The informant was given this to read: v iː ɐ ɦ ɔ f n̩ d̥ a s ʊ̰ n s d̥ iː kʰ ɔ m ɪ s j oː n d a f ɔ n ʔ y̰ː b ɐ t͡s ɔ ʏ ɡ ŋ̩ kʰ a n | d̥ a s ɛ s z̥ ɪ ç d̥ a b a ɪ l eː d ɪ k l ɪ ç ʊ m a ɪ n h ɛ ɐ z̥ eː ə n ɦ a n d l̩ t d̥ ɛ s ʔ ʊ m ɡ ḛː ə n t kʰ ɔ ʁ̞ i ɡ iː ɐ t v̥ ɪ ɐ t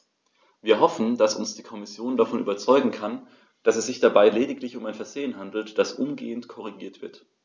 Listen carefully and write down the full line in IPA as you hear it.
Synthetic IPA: v iː ɐ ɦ ɔ f n̩ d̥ a s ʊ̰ n s d̥ iː kʰ ɔ m ɪ s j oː n d a f ɔ n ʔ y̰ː b ɐ t͡s ɔ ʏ ɡ ŋ̩ kʰ a n | d̥ a s ɛ s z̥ ɪ ç d̥ a b a ɪ l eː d ɪ k l ɪ ç ʊ m a ɪ n f ɛ ɐ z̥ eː ə n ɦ a n d l̩ t d̥ a s ʔ ʊ m ɡ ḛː ə n t kʰ ɔ ʁ̞ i ɡ iː ɐ t v̥ ɪ ɐ t

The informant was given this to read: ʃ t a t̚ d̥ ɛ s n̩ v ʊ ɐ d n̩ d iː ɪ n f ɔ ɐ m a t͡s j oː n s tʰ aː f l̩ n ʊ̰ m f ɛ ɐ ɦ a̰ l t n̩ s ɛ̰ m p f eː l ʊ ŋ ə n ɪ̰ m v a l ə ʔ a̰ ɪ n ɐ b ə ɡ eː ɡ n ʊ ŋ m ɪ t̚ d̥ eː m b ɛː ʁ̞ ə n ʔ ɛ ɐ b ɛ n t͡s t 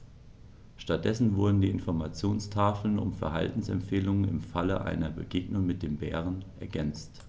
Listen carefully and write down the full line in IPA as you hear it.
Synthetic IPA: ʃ t a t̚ d̥ ɛ s n̩ v ʊ ɐ d n̩ d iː ɪ n f ɔ ɐ m a t͡s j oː n s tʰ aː f l̩ n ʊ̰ m f ɛ ɐ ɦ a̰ l t n̩ s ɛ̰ m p f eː l ʊ ŋ ə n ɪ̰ m f a l ə ʔ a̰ ɪ n ɐ b ə ɡ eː ɡ n ʊ ŋ m ɪ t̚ d̥ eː m b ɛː ʁ̞ ə n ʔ ɛ ɐ ɡ ɛ n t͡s t

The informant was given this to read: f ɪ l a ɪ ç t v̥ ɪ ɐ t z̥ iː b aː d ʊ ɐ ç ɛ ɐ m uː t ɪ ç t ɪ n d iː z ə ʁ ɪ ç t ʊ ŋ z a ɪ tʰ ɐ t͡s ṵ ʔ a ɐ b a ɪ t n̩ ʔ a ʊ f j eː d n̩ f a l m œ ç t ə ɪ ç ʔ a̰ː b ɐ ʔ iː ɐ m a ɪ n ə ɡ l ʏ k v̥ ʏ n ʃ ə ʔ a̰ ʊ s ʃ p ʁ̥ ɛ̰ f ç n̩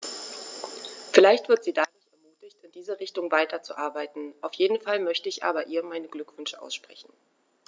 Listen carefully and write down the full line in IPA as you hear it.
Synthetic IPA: f ɪ l a ɪ ç t v̥ ɪ ɐ t z̥ iː d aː d ʊ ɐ ç ɛ ɐ m uː t ɪ ç t ɪ n d iː z ə ʁ ɪ ç t ʊ ŋ v a ɪ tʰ ɐ t͡s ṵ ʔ a ɐ b a ɪ t n̩ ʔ a ʊ f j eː d n̩ f a l m œ ç t ə ɪ ç ʔ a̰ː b ɐ ʔ iː ɐ m a ɪ n ə ɡ l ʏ k v̥ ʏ n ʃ ə ʔ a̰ ʊ s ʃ p ʁ̥ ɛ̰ ç n̩

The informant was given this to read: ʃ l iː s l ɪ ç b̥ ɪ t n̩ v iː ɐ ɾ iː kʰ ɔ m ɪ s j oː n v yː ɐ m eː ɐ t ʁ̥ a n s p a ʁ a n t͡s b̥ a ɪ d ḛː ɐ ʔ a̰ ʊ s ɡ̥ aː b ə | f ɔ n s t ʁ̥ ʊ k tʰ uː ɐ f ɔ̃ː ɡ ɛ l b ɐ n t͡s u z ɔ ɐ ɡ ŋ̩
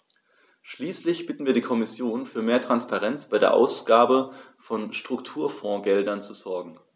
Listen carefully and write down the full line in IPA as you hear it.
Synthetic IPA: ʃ l iː s l ɪ ç b̥ ɪ t n̩ v iː ɐ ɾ iː kʰ ɔ m ɪ s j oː n f yː ɐ m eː ɐ t ʁ̥ a n s p a ʁ ɛ n t͡s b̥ a ɪ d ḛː ɐ ʔ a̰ ʊ s ɡ̥ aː b ə | f ɔ n ʃ t ʁ̥ ʊ k tʰ uː ɐ f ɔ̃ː ɡ ɛ l d ɐ n t͡s u z ɔ ɐ ɡ ŋ̩

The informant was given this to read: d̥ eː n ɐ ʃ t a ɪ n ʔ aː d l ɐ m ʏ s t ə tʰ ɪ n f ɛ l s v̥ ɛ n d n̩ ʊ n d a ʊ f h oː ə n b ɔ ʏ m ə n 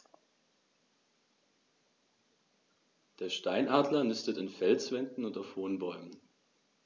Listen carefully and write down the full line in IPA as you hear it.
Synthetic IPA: d̥ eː ɐ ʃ t a ɪ n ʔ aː d l ɐ n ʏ s t ə t ɪ n f ɛ l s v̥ ɛ n d n̩ ʊ n t a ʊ f h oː ə n b ɔ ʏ m ə n

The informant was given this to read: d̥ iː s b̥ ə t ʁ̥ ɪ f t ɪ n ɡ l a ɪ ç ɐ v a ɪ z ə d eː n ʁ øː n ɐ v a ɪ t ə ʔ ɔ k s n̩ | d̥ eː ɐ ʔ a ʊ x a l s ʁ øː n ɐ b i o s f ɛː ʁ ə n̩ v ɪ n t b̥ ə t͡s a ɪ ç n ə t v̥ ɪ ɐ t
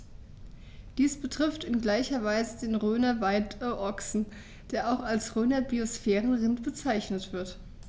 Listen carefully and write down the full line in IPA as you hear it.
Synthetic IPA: d̥ iː s b̥ ə t ʁ̥ ɪ f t ɪ n ɡ l a ɪ ç ɐ v a ɪ z ə d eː n ʁ øː n ɐ v a ɪ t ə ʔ ɔ k s n̩ | d̥ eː ɐ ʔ a ʊ x a l s ʁ øː n ɐ b i o s f ɛː ʁ ə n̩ ʁ ɪ n t b̥ ə t͡s a ɪ ç n ə t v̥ ɪ ɐ t

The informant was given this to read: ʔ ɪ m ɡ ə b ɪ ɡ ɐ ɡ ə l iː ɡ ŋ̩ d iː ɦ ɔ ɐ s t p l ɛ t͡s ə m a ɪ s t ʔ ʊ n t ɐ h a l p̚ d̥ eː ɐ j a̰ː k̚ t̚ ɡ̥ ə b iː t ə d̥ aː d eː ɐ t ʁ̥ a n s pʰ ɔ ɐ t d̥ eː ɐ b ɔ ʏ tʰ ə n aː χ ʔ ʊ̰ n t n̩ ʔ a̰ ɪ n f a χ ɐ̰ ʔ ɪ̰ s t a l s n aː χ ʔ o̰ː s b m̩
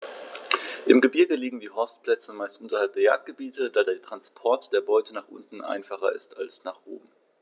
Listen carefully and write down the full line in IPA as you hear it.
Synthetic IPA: ʔ ɪ m ɡ ə b ɪ ɐ ɡ ə l iː ɡ ŋ̩ d iː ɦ ɔ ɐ s t p l ɛ t͡s ə m a ɪ s t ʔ ʊ n t ɐ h a l p̚ d̥ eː ɐ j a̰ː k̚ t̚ ɡ̥ ə b iː t ə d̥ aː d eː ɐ t ʁ̥ a n s pʰ ɔ ɐ t d̥ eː ɐ b ɔ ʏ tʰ ə n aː χ ʔ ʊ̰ n t n̩ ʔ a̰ ɪ n f a χ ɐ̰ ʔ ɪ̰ s t a l s n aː χ ʔ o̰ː b m̩

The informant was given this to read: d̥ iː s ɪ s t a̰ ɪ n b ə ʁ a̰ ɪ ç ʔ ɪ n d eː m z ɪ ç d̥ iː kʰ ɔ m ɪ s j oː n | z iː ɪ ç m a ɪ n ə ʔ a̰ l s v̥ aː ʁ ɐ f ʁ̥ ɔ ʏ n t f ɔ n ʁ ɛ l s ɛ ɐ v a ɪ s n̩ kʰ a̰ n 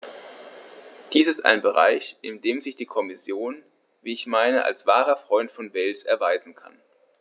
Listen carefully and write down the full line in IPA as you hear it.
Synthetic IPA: d̥ iː s ɪ s t a̰ ɪ n b ə ʁ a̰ ɪ ç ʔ ɪ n d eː m z ɪ ç d̥ iː kʰ ɔ m ɪ s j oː n | v iː ɪ ç m a ɪ n ə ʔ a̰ l s v̥ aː ʁ ɐ f ʁ̥ ɔ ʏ n t f ɔ n v ɛ l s ɛ ɐ v a ɪ z n̩ kʰ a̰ n

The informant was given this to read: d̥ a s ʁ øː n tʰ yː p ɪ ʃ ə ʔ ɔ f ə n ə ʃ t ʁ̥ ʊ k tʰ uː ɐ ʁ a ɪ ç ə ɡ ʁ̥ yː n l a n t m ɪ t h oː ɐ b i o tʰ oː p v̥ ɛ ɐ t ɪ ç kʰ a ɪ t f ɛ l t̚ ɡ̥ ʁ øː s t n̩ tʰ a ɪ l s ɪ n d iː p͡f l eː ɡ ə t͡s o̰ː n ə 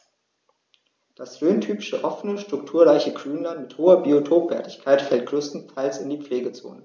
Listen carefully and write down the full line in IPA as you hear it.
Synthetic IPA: d̥ a s ʁ øː n tʰ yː p ɪ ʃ ə ʔ ɔ f ə n ə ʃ t ʁ̥ ʊ k tʰ uː ɐ ʁ a ɪ ç ə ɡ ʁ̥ yː n l a n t m ɪ t h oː ɐ b i o tʰ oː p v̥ ɛ ɐ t ɪ ç kʰ a ɪ t f ɛ l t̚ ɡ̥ ʁ øː s t n̩ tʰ a ɪ l s ɪ n d iː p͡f l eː ɡ ə t͡s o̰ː n ə

